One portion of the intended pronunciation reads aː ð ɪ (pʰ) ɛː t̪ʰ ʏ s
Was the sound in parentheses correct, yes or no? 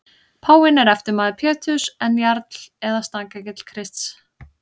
yes